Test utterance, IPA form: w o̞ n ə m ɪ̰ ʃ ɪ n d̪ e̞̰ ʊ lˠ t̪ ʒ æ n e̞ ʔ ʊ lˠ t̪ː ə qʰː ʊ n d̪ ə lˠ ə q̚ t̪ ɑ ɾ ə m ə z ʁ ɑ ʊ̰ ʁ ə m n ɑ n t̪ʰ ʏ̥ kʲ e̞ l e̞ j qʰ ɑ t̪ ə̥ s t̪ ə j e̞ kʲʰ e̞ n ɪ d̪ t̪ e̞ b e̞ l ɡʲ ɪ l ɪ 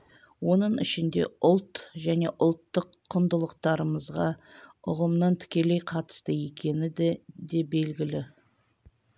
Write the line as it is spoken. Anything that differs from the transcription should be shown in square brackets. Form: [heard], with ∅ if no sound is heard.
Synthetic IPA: w o̞ n ə [ɴ] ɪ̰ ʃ ɪ n d̪ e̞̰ ʊ lˠ t̪ ʒ æ n e̞ ʔ ʊ lˠ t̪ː ə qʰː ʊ n d̪ ə lˠ ə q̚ t̪ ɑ ɾ ə m ə z ʁ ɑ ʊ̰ ʁ ə m n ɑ n t̪ʰ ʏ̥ kʲ e̞ l e̞ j qʰ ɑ t̪ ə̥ s t̪ ə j e̞ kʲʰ e̞ n ɪ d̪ [d̪] e̞ b e̞ l ɡʲ ɪ l ɪ